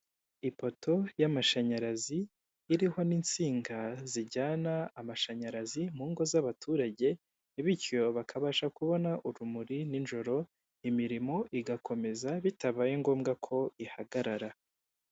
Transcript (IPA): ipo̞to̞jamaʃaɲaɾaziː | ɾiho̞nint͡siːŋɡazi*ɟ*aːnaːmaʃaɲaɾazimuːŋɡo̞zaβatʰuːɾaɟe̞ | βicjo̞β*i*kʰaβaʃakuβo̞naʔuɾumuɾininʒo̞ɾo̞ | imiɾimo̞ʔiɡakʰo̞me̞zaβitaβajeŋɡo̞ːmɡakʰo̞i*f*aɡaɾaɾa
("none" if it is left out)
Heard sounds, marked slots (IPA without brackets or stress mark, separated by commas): ɟ, a, h